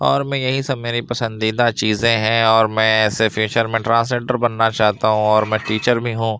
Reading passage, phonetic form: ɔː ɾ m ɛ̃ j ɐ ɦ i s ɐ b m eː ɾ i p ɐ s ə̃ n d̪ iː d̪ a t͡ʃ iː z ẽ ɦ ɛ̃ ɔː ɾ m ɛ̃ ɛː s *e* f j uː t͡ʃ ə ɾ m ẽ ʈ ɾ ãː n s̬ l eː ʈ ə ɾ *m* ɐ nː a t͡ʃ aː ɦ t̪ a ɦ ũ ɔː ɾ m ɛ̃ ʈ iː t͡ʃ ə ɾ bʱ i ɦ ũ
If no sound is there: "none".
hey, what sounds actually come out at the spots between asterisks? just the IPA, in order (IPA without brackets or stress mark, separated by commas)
e, b